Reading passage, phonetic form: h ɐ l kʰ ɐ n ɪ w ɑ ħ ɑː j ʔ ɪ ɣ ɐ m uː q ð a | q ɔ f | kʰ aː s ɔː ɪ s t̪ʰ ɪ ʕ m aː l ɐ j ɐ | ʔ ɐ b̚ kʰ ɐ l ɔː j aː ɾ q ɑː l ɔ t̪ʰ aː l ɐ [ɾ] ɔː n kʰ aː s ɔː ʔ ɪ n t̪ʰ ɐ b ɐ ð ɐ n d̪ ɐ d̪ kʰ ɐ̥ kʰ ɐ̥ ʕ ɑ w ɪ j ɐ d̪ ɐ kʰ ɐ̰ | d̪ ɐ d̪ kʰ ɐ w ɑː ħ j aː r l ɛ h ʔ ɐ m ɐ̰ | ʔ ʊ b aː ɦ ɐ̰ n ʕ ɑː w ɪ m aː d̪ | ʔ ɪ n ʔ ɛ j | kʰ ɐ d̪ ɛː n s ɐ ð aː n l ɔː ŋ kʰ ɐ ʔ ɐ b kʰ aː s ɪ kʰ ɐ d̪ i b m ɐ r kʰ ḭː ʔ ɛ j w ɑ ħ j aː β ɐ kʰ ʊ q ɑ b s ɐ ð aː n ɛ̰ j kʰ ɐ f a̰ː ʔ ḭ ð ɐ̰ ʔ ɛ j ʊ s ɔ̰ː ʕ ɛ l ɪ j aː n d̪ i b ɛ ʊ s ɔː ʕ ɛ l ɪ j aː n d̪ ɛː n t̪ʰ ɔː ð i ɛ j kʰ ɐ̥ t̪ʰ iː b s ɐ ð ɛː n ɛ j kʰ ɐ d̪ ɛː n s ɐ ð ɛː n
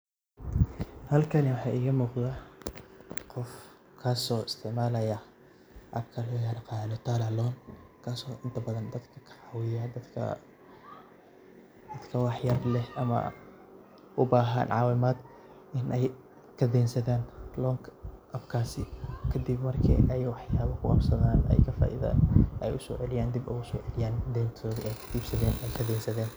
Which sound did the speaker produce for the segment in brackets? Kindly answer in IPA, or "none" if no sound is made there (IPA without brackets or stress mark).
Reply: l